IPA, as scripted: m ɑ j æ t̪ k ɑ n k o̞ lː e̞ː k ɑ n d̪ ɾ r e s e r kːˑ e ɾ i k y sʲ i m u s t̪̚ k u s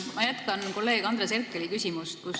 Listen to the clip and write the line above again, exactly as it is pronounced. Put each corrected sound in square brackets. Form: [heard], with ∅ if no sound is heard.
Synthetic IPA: m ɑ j æ t̪ k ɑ n k o̞ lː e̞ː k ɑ n d̪ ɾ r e s e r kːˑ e [l] i k y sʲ i m u s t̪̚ k u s